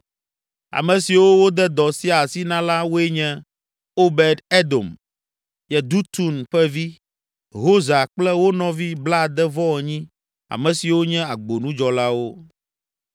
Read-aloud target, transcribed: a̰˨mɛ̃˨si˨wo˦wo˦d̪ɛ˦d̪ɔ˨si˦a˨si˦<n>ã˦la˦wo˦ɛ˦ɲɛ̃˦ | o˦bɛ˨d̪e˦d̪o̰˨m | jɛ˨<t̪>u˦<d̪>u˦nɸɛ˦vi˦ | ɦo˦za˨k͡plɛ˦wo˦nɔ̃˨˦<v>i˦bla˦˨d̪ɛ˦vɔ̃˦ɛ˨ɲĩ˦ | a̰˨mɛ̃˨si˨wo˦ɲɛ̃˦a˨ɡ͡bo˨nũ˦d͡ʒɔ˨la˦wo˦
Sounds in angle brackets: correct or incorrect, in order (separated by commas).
correct, incorrect, incorrect, correct